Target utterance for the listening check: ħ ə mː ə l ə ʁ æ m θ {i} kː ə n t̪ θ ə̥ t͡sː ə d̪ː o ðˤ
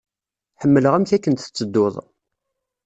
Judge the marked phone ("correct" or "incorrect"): incorrect